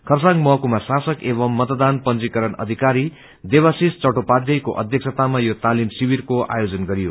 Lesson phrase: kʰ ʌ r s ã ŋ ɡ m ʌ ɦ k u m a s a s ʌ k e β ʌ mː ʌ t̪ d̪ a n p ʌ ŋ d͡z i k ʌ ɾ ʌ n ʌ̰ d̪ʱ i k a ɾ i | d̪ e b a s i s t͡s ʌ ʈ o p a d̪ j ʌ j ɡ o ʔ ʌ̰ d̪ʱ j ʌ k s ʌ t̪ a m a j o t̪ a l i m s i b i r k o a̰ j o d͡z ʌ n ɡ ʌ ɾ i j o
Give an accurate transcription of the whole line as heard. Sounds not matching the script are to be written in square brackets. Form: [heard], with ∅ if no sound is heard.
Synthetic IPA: kʰ ʌ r s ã ŋ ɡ m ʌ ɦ k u m a s a s ʌ k e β ʌ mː ʌ t̪ d̪ a n p ʌ [n] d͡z i k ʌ ɾ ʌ n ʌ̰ d̪ʱ i k a ɾ i | d̪ e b a s i s t͡s ʌ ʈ o p a d̪ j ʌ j [k] o ʔ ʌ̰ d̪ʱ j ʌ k s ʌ t̪ a m a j o t̪ a l i m s i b i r k o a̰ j o d͡z ʌ n ɡ ʌ ɾ i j o